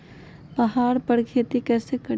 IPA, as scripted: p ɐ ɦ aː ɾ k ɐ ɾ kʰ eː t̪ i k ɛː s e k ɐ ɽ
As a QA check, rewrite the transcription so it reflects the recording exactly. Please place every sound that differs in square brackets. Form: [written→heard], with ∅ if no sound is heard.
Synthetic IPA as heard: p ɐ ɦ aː ɾ [k→p] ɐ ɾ kʰ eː t̪ i k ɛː s e k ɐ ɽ

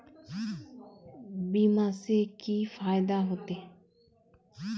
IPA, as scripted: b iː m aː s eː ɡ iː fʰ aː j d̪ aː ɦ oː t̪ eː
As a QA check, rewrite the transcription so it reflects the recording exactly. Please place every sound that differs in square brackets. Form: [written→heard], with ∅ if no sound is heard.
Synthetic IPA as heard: b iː m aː s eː [ɡ→k] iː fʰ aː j d̪ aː ɦ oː t̪ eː

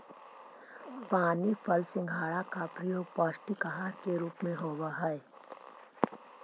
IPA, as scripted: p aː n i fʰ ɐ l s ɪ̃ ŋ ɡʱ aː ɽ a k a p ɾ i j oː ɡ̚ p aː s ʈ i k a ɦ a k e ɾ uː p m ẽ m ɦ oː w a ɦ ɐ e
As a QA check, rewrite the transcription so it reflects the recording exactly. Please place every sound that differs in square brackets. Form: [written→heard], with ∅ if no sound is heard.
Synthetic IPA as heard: p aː n i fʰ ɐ l s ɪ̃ ŋ ɡʱ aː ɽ a k a p ɾ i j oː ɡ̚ p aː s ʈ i k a ɦ a k e ɾ uː p m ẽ [m→∅] ɦ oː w a ɦ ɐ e

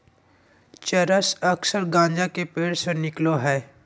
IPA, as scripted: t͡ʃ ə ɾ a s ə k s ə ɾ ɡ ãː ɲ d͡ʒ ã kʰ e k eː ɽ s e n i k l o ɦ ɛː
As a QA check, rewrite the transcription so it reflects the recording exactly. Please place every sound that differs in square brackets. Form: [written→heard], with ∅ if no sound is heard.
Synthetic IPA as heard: t͡ʃ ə ɾ [a→ə] s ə k s ə ɾ ɡ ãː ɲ d͡ʒ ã [kʰ→k] e [k→p] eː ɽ s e n [i→ɪ] k l o ɦ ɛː

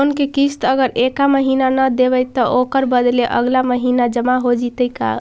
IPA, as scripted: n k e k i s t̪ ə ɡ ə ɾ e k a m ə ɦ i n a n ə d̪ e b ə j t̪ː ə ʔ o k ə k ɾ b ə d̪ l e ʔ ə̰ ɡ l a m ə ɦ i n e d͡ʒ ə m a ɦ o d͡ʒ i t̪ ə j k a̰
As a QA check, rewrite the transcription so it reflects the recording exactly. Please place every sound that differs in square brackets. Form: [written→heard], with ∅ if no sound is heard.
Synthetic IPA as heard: n k e k i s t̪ ə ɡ ə ɾ e k a m ə ɦ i n a n ə d̪ e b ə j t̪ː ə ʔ o k ə [k→∅] ɾ b ə d̪ l e ʔ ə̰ ɡ l a m ə ɦ i n [e→a] d͡ʒ ə m a ɦ o d͡ʒ i t̪ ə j k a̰

